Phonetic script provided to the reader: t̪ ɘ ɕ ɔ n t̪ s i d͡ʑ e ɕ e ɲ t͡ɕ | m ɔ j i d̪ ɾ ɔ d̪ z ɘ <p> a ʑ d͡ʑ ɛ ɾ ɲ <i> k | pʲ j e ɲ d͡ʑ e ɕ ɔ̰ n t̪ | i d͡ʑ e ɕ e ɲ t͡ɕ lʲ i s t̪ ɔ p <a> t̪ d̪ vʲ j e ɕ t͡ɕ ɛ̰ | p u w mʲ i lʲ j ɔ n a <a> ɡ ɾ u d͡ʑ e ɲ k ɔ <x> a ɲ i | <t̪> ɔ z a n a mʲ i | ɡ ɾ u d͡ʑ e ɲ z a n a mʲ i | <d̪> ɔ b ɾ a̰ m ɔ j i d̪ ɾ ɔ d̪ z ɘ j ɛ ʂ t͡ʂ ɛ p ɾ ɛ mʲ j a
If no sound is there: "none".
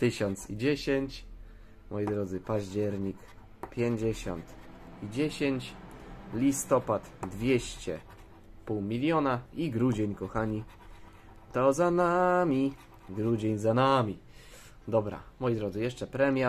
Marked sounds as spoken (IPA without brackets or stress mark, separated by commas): p, i, a, i, x, t̪, d̪